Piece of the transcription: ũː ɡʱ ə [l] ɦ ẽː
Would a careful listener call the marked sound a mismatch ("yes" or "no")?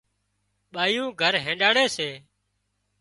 yes